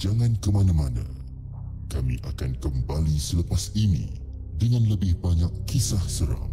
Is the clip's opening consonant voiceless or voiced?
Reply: voiced